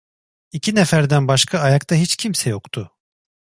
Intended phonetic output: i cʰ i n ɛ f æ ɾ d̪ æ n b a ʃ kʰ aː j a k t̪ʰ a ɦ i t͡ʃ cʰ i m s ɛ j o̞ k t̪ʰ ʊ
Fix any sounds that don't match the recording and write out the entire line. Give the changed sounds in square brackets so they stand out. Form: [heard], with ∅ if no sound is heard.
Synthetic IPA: i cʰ i n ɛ f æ ɾ d̪ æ n b a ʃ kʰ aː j a k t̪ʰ a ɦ i t͡ʃ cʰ i m s ɛ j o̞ k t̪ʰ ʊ